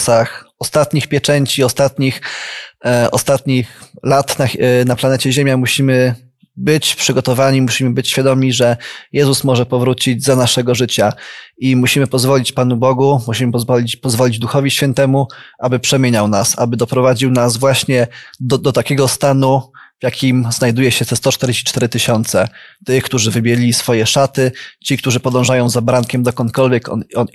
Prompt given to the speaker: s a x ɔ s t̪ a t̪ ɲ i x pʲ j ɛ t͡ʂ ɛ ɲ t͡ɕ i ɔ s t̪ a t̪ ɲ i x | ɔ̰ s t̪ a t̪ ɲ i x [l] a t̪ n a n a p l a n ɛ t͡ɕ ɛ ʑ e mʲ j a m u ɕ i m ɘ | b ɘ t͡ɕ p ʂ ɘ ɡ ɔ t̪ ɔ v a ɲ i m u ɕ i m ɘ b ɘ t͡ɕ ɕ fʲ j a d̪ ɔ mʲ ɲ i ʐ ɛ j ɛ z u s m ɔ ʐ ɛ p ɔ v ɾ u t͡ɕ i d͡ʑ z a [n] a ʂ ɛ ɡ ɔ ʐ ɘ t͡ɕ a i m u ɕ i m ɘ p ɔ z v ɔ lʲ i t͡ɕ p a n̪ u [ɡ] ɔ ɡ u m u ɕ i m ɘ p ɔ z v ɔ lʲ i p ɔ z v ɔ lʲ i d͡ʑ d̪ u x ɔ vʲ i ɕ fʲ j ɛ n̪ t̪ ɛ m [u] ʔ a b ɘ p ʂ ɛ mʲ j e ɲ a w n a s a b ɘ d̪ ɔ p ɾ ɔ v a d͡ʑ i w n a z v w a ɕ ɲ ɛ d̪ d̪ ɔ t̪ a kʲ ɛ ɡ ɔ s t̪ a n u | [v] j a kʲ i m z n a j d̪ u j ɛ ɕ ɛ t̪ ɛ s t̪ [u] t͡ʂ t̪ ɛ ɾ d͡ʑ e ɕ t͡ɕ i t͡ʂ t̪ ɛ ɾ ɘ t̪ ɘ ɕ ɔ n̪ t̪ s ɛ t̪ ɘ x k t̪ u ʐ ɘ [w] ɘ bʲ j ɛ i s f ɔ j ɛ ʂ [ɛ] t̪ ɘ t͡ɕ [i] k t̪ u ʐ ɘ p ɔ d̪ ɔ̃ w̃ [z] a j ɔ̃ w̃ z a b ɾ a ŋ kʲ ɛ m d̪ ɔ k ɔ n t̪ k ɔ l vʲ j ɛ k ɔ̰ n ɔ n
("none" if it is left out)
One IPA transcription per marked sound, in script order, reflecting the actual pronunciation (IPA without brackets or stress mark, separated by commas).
l, n, b, u, v, ɔ, v, a, i, ʐ